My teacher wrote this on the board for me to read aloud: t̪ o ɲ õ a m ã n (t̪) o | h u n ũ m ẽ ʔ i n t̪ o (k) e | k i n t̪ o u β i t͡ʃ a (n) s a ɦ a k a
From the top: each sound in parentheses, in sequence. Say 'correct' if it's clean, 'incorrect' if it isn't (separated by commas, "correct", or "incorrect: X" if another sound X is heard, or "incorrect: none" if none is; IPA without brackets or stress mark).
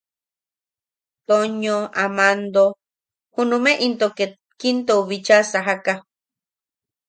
incorrect: d̪, correct, incorrect: none